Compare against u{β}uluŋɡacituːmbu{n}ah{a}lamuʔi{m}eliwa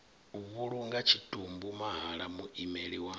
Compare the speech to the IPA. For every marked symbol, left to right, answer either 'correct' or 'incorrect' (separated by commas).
correct, incorrect, correct, correct